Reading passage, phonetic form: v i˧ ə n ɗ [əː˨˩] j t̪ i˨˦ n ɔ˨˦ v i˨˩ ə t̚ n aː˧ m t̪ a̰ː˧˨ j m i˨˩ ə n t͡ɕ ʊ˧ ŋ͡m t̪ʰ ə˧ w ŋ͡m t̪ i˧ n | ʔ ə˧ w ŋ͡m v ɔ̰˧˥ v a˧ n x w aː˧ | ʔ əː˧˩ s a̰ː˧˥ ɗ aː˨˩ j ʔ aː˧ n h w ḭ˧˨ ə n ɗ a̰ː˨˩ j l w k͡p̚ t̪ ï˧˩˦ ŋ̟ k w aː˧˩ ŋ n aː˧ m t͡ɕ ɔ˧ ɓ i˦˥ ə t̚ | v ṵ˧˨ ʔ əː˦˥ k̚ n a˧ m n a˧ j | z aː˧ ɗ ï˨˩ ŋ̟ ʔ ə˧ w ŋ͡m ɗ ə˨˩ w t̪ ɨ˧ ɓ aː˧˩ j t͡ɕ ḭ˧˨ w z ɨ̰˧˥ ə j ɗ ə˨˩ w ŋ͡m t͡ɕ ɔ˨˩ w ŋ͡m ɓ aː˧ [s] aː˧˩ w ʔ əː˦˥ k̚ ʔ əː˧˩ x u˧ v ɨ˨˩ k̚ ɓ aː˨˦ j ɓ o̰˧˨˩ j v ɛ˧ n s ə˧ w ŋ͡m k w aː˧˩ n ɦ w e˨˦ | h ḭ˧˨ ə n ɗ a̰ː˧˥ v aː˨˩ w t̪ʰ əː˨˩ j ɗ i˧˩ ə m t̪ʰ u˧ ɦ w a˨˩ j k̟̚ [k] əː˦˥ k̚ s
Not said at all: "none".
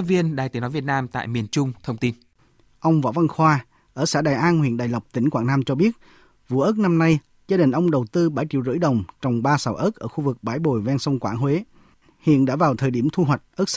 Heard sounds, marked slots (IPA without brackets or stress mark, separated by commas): aː˨˩, s, ʔ